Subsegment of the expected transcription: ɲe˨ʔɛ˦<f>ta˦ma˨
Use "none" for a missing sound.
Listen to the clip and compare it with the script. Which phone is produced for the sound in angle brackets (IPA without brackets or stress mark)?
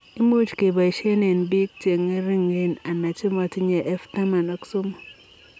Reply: f